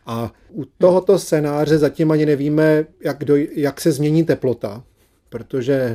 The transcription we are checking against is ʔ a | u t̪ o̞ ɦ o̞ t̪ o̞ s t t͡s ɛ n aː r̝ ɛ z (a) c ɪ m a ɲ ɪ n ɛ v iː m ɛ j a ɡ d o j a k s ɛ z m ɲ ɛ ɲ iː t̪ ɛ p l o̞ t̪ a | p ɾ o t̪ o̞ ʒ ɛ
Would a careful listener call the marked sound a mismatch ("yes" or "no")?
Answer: no